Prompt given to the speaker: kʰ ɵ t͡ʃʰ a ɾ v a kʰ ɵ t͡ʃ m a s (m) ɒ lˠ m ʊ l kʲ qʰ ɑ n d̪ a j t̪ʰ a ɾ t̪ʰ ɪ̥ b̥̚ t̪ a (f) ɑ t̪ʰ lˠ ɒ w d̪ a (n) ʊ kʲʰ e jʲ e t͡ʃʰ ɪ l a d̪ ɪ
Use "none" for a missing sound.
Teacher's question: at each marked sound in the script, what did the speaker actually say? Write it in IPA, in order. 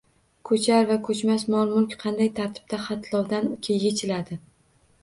m, χ, n

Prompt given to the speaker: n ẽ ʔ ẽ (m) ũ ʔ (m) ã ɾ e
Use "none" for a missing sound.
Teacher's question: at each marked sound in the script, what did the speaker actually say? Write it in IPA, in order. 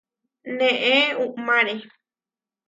none, m

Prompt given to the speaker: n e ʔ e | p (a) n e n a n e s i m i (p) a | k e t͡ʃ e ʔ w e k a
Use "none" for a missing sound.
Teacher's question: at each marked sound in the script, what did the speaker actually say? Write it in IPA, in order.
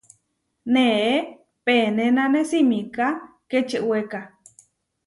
e, k

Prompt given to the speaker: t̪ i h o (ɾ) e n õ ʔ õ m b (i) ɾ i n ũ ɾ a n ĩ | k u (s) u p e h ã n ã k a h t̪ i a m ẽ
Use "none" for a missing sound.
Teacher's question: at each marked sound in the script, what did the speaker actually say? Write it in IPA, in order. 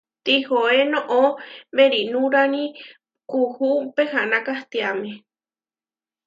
none, e, h

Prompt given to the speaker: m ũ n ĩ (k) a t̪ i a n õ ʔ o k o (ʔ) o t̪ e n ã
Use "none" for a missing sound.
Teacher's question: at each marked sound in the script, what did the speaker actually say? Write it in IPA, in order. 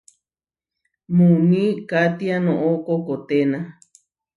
k, k

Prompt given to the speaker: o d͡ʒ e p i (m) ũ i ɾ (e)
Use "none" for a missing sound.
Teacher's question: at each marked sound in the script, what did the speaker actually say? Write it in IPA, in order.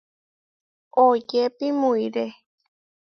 m, e

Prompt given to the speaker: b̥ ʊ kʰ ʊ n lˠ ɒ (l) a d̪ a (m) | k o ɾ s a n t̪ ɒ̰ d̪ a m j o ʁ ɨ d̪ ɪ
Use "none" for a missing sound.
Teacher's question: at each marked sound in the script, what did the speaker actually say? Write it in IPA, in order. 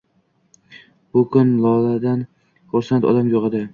l, n

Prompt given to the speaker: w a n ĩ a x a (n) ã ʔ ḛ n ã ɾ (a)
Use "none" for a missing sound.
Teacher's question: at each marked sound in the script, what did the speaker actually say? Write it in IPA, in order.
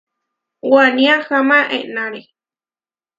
m, e

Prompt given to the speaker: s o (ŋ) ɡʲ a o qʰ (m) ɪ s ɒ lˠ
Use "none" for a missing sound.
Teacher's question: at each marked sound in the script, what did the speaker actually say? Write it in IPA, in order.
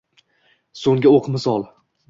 ŋ, m

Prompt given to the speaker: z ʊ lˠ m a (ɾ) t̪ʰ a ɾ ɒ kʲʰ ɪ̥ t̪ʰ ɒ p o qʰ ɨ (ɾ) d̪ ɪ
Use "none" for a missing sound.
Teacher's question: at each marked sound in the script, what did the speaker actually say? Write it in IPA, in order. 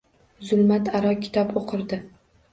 none, ɾ

